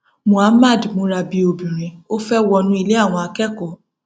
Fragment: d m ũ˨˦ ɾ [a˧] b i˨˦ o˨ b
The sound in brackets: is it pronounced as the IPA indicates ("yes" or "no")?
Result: yes